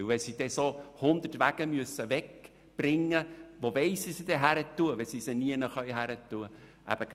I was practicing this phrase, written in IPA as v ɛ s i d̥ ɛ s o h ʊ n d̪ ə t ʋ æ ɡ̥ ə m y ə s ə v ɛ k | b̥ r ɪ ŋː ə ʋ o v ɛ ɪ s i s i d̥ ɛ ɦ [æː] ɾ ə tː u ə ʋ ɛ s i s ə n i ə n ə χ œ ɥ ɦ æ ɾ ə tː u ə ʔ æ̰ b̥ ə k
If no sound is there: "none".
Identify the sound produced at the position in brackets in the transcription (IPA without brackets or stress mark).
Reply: æ